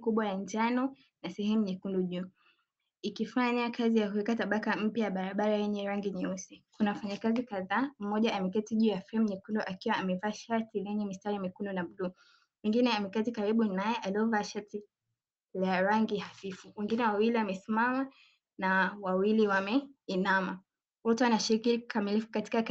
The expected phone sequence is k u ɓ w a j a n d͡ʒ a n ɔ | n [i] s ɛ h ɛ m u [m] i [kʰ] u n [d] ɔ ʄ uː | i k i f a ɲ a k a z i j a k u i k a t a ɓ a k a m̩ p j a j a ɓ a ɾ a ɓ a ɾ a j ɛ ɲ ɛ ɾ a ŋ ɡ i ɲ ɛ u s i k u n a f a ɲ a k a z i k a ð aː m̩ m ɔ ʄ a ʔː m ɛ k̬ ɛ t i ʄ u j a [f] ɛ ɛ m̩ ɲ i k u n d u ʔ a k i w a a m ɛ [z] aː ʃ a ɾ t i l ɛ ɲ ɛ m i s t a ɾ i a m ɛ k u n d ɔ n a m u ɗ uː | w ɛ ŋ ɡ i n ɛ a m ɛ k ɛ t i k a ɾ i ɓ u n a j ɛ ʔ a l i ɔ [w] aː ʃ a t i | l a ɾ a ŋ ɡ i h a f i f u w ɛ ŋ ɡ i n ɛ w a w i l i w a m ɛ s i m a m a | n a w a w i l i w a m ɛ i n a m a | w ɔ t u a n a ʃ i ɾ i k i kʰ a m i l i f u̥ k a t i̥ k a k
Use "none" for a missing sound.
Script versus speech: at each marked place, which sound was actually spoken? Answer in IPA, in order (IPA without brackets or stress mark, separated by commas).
a, ɲ, k, d, f, v, v